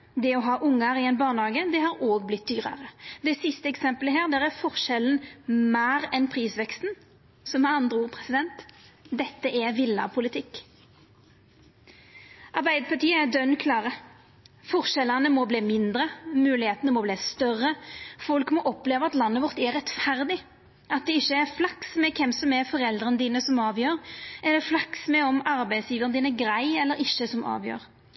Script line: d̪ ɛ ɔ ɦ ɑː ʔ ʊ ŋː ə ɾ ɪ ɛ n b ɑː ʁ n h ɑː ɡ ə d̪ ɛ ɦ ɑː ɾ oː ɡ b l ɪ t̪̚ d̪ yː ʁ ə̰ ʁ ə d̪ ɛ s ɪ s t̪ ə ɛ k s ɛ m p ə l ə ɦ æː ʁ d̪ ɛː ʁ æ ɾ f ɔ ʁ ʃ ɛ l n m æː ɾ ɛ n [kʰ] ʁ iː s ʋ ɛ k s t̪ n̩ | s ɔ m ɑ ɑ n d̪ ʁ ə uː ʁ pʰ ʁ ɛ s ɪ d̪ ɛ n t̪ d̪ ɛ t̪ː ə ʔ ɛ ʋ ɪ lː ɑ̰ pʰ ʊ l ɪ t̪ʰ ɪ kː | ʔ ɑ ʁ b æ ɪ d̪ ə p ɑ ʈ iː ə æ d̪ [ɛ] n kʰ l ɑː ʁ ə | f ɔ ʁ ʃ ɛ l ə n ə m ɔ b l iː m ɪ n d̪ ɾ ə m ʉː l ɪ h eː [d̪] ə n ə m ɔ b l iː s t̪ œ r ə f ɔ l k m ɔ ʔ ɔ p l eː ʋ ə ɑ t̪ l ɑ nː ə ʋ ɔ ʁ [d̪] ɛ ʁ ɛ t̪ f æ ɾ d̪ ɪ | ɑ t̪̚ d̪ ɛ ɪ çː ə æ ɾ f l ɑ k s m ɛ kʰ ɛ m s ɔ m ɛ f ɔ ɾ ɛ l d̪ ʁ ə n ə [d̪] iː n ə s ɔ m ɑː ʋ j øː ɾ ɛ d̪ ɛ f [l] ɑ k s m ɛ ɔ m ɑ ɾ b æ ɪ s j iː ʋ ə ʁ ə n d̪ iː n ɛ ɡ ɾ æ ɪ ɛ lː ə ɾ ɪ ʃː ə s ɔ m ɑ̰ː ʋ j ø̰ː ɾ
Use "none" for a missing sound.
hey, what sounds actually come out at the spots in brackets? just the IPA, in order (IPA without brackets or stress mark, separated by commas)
pʰ, œ, t̪, t̪, d̪, l